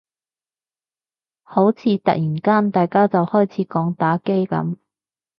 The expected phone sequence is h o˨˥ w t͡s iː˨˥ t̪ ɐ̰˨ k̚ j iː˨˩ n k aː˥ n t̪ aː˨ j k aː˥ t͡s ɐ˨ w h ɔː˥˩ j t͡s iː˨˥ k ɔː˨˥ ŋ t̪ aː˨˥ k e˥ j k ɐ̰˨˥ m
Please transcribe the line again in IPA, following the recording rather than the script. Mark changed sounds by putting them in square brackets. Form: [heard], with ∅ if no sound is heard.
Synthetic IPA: h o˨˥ w [t͡sʰ] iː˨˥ t̪ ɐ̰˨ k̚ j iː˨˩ n k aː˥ n t̪ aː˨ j k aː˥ t͡s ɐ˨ w h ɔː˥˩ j [t͡sʰ] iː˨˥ k ɔː˨˥ ŋ t̪ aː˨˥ k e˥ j k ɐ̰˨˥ m